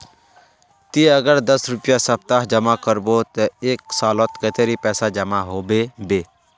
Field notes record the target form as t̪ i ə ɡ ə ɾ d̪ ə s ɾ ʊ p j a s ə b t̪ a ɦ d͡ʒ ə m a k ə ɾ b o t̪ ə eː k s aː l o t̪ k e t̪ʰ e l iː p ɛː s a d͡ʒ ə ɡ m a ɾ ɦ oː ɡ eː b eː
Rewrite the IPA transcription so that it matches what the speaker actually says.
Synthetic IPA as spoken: t̪ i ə ɡ ə ɾ d̪ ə s ɾ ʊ p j a s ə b t̪ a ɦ d͡ʒ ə m a k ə ɾ b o t̪ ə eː k s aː l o t̪ k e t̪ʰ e ɾ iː p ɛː s a d͡ʒ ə m a ɦ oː b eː b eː